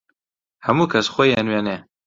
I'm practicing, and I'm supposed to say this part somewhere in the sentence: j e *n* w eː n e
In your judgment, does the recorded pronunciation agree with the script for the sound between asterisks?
yes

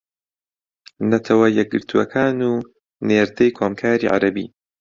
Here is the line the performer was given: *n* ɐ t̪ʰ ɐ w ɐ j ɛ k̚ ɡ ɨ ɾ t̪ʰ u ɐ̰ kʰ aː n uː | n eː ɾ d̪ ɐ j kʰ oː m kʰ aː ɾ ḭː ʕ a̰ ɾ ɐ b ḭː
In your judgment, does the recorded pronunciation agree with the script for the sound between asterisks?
yes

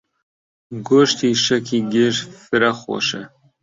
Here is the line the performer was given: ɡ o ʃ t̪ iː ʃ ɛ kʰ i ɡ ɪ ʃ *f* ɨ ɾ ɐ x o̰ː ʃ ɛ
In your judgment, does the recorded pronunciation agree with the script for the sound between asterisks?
yes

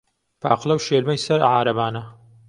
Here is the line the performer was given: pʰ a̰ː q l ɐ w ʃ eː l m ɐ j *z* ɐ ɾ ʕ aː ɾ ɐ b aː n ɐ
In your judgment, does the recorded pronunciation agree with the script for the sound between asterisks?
no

